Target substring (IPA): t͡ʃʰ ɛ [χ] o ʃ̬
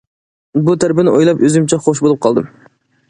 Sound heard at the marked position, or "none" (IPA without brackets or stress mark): χ